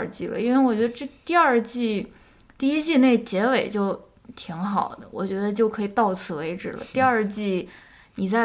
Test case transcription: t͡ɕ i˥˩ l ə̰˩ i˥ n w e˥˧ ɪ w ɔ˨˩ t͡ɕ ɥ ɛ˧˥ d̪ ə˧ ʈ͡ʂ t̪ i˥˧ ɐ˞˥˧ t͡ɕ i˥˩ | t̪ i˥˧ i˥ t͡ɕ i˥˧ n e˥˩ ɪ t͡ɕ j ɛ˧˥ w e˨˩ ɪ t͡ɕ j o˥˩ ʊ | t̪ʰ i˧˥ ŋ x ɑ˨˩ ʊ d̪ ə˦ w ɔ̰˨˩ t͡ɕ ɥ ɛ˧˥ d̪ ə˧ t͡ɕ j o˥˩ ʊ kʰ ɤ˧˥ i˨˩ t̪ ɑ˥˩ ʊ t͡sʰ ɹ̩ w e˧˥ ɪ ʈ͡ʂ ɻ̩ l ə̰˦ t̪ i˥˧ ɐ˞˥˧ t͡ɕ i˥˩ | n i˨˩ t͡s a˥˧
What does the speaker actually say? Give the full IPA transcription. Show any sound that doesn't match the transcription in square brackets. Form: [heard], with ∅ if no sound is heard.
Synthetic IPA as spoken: t͡ɕ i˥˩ l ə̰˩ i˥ n w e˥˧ ɪ w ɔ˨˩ t͡ɕ ɥ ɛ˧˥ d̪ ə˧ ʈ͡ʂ t̪ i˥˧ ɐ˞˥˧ t͡ɕ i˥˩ | t̪ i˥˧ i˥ t͡ɕ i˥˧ n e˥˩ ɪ t͡ɕ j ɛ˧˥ w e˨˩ ɪ t͡ɕ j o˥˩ ʊ | t̪ʰ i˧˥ ŋ x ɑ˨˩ ʊ d̪ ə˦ w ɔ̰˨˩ t͡ɕ ɥ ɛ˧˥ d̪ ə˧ t͡ɕ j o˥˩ ʊ kʰ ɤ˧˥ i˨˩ t̪ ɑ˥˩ ʊ t͡sʰ ɹ̩ w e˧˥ ɪ ʈ͡ʂ ɻ̩ l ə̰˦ t̪ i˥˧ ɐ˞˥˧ t͡ɕ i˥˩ | n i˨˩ t͡s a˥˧